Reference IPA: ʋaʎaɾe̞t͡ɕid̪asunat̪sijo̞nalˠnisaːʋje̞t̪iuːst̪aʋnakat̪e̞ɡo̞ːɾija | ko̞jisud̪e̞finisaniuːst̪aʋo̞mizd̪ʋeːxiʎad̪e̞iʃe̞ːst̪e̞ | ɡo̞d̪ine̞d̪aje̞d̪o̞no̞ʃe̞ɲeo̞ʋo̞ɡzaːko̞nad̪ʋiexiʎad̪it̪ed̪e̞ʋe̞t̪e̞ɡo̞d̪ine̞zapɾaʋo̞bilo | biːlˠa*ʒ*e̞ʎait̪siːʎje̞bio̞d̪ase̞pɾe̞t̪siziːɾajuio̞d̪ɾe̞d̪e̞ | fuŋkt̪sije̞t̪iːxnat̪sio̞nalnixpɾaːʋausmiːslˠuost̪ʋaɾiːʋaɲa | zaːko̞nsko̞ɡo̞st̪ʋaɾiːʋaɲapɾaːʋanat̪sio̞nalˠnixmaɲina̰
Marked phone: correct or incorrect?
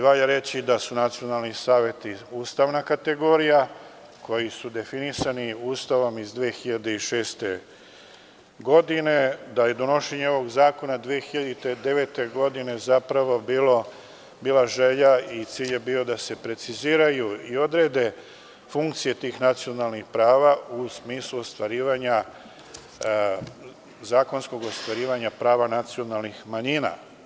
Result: correct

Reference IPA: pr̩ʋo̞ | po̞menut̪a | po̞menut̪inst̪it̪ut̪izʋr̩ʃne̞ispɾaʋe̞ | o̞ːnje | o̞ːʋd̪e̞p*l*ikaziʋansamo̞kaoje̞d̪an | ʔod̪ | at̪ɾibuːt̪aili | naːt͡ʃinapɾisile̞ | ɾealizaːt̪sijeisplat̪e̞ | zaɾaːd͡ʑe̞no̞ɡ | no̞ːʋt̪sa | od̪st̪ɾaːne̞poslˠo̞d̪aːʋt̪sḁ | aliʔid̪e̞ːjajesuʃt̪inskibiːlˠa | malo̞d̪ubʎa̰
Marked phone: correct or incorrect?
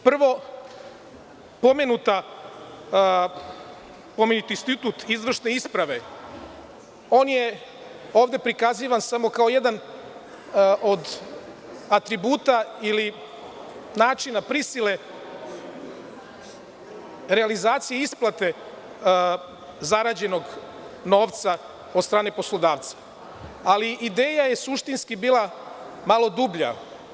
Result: incorrect: ɾ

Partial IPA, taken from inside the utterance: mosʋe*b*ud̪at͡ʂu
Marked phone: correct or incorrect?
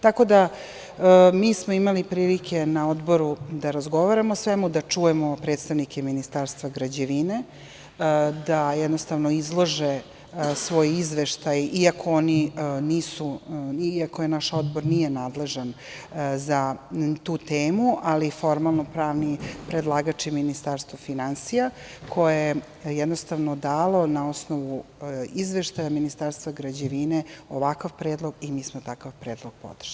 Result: incorrect: m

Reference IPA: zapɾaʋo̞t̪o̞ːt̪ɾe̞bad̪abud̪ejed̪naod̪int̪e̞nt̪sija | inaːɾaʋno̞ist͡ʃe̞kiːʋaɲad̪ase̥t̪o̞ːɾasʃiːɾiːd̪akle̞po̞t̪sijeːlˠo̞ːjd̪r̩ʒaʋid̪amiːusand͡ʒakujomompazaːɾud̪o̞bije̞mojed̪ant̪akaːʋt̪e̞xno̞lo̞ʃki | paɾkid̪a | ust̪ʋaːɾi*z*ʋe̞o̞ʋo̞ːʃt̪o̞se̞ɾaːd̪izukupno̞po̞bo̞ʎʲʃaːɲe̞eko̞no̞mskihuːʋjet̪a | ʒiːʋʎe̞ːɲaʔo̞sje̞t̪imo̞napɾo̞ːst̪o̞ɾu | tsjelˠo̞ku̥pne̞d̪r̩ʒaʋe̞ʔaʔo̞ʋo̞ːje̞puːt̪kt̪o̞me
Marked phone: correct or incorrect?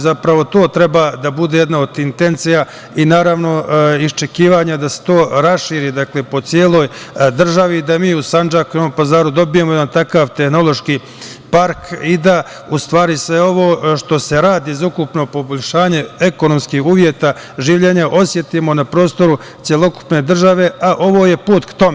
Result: incorrect: s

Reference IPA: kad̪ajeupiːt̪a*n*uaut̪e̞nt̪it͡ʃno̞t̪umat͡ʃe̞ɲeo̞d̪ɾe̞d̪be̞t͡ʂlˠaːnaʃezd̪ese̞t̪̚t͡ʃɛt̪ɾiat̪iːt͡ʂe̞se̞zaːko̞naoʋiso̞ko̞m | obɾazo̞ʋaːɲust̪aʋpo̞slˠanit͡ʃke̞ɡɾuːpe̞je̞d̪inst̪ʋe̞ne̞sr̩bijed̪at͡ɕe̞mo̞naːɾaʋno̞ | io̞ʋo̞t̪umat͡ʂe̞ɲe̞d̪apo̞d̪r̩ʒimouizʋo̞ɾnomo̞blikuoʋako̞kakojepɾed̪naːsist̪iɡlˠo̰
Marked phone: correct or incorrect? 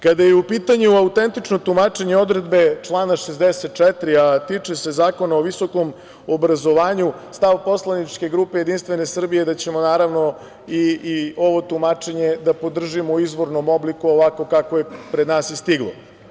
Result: incorrect: ɲ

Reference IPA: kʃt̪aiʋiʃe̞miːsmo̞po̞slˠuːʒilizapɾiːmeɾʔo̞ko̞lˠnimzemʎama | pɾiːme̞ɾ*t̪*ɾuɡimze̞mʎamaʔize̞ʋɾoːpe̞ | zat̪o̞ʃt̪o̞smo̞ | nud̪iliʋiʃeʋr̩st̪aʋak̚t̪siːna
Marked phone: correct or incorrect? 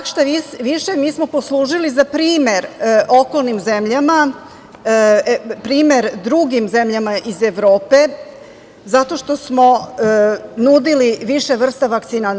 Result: incorrect: d̪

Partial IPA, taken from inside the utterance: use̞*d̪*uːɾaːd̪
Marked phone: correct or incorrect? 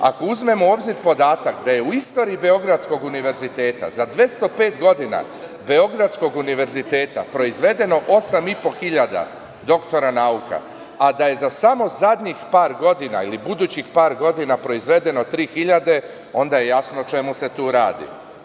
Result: incorrect: t̪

